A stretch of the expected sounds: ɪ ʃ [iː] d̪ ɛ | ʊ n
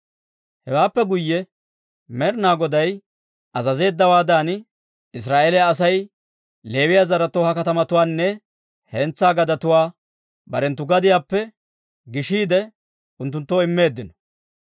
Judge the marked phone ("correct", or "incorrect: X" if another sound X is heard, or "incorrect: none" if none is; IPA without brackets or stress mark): correct